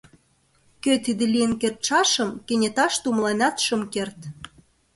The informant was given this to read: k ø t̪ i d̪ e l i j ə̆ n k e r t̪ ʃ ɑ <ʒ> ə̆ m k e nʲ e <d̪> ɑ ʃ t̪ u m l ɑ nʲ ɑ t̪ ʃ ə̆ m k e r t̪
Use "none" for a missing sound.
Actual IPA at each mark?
ʃ, t̪

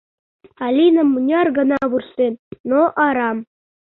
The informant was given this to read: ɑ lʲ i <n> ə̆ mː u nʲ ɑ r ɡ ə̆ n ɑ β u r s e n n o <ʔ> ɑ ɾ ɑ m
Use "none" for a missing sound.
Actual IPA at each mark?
n, ʔ

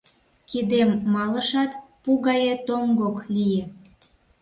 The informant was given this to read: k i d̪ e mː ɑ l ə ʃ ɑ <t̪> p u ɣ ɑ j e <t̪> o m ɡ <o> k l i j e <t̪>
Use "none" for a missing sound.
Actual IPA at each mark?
t̪, t̪, o, none

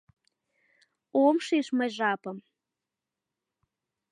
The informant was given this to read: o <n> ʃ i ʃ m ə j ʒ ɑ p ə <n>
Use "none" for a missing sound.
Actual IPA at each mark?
m, m

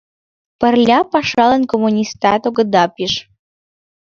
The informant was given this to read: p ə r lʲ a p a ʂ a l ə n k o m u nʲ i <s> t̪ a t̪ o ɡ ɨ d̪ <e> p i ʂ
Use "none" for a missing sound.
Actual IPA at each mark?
s, a

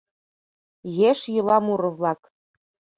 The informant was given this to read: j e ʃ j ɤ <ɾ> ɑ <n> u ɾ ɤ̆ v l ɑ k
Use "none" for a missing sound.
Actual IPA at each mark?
l, m

